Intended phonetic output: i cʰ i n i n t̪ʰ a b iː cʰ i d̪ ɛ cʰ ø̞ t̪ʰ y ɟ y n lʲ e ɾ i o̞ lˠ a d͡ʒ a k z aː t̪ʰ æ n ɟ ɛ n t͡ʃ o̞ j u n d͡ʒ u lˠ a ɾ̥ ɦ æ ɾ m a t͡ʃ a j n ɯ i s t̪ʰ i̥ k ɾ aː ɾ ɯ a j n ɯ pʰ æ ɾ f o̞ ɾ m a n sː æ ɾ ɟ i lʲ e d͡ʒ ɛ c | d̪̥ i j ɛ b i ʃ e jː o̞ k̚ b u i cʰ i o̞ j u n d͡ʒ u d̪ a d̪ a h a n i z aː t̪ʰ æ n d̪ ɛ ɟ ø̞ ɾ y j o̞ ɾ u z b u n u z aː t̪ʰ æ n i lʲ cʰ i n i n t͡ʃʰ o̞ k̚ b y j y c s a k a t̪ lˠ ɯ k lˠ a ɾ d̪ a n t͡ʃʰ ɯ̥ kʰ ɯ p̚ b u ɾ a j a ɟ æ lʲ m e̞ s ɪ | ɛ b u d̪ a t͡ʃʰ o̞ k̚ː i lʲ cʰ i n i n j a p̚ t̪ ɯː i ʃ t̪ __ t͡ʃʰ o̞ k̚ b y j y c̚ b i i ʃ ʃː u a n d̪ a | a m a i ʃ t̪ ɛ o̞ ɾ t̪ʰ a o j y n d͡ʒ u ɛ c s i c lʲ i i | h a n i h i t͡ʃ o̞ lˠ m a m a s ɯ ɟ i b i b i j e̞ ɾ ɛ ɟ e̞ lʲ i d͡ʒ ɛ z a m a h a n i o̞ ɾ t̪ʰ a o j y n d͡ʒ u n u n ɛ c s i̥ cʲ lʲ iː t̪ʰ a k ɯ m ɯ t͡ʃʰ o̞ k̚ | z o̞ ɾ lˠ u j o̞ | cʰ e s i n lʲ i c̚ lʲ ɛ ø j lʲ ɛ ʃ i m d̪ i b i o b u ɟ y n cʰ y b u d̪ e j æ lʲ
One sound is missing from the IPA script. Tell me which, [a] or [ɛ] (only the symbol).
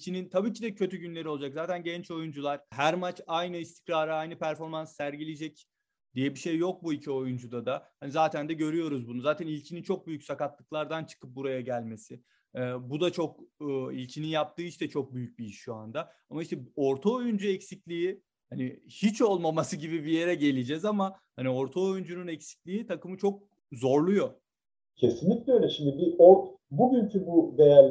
ɛ